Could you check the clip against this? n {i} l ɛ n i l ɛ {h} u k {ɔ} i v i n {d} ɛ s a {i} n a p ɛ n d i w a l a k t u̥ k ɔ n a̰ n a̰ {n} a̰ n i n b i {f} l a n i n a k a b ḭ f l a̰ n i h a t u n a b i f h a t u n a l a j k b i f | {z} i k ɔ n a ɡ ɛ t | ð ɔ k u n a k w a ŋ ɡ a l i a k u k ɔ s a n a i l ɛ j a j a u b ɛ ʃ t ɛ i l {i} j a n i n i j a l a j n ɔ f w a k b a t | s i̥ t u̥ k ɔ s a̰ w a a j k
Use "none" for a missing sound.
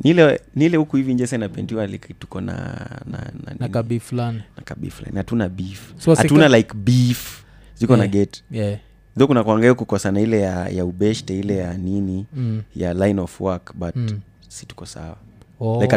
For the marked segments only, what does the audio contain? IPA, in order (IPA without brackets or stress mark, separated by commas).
i, h, u, d͡ʒ, i, n, f, z, ɛ